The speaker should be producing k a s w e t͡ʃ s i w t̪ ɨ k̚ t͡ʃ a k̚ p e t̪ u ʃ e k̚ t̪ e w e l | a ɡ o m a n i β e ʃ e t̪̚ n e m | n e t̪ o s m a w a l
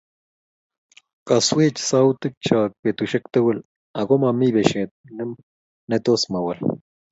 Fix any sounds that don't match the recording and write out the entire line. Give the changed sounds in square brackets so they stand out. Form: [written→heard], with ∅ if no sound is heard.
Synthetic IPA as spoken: k a s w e t͡ʃ s [i→a] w t̪ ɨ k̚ t͡ʃ a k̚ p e t̪ u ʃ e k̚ t̪ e w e l | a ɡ o m a [n→m] i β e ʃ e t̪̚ n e m | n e t̪ o s m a w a l